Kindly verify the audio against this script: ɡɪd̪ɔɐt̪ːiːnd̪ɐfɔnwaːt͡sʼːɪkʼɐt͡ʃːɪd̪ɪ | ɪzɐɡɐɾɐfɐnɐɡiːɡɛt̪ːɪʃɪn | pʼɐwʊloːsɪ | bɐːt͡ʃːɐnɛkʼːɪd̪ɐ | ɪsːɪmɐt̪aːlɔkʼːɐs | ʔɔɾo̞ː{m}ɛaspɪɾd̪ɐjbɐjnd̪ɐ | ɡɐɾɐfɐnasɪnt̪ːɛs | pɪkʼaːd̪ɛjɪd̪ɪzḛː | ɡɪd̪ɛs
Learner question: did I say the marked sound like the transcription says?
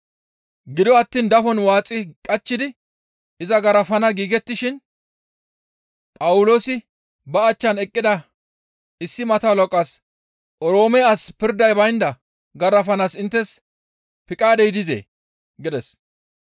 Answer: yes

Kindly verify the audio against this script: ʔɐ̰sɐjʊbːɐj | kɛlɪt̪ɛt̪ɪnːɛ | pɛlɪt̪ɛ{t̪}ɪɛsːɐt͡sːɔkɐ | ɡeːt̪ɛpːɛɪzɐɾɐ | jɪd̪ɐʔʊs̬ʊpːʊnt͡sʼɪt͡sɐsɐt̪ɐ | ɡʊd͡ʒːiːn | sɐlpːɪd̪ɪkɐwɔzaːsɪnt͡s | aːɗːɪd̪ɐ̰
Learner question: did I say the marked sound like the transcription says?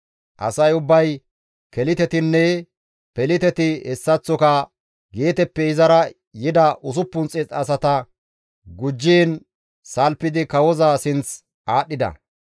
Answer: yes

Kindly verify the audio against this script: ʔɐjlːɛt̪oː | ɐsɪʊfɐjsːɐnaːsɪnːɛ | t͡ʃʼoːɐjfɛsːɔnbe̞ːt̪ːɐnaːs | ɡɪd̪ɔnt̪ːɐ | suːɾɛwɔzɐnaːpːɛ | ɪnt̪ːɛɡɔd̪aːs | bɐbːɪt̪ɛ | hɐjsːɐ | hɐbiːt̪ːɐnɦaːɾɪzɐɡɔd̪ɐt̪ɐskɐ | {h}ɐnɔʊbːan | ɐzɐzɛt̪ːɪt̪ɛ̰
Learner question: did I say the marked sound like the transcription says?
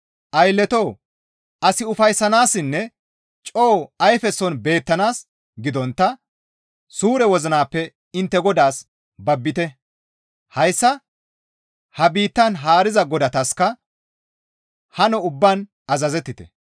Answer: yes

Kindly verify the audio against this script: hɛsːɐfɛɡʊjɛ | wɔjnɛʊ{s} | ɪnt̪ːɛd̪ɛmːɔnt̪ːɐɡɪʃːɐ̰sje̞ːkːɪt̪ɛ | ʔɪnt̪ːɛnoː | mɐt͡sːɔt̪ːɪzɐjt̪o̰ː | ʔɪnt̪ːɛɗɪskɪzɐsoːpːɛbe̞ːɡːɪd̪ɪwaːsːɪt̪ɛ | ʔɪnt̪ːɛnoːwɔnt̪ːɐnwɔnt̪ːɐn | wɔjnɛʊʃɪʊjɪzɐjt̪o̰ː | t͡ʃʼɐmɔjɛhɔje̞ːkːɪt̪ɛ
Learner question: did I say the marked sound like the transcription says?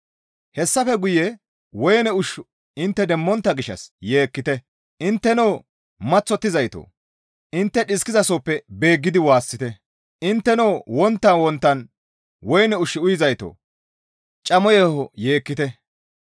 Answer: no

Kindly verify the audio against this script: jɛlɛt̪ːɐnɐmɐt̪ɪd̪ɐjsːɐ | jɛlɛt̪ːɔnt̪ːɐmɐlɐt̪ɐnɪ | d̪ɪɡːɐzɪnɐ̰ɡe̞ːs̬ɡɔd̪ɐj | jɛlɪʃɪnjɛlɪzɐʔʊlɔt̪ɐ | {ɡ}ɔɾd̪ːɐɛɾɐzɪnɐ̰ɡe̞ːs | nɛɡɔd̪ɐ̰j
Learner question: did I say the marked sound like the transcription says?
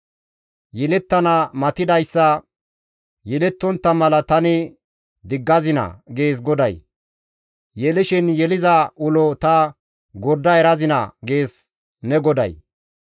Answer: yes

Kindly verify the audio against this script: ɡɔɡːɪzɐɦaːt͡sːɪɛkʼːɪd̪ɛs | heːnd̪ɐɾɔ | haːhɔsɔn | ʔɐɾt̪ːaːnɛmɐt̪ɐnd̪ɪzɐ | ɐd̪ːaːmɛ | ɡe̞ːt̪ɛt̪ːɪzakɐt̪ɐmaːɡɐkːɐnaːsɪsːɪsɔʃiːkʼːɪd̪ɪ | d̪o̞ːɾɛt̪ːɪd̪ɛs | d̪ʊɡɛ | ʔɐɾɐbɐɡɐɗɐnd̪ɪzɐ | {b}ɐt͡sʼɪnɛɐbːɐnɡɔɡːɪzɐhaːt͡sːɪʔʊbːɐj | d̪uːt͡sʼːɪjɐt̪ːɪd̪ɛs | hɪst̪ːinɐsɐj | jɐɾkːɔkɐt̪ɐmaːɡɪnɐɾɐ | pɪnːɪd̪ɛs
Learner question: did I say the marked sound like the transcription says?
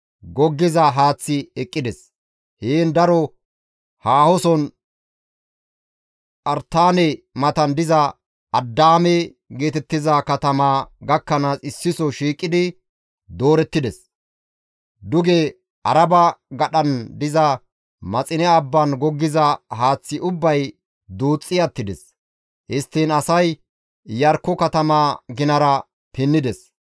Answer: no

